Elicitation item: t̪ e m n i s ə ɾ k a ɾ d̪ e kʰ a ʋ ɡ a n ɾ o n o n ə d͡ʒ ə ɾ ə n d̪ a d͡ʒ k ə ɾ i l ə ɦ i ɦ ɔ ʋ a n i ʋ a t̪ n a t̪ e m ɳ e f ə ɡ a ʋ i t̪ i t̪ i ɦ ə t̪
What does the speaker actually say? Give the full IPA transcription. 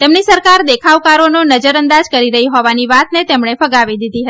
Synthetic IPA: t̪ e m n i s ə ɾ k a ɾ d̪ e kʰ a ʋ k a ɾ o n o n ə d͡ʒ ə ɾ ə n d̪ a d͡ʒ k ə ɾ i ɾ ə ɦ i ɦ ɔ ʋ a n i ʋ a t̪ n e t̪ e m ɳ e f ə ɡ a ʋ i d̪ i d̪ i ɦ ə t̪